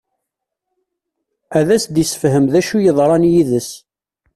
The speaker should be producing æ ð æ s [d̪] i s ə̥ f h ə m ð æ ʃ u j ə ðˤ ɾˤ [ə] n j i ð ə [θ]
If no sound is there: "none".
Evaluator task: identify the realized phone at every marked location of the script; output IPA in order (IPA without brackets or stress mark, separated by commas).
d̪, ɑ, s